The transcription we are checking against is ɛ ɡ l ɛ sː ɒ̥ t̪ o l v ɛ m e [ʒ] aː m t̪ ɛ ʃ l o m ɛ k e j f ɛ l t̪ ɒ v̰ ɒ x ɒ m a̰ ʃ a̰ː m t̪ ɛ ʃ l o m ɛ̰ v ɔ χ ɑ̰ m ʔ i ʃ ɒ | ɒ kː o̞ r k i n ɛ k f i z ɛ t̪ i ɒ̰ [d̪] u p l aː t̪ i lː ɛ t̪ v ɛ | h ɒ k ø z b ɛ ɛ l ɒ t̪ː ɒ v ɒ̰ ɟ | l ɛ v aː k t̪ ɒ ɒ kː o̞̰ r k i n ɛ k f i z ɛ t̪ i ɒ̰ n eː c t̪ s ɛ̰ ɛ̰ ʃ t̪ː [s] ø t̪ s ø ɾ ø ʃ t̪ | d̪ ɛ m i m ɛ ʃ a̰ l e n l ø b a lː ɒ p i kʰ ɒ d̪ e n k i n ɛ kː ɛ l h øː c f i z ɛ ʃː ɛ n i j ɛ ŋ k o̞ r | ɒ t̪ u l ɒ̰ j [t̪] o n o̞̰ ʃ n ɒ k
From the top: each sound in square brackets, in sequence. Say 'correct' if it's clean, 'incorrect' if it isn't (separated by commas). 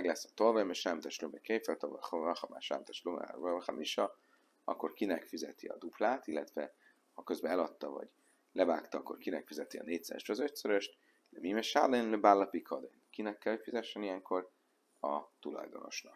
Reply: incorrect, correct, incorrect, incorrect